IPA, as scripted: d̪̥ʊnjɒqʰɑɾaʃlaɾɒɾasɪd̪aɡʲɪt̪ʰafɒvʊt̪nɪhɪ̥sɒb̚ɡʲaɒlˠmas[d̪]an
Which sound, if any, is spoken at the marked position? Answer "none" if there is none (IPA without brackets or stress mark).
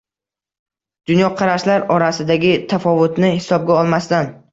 t̪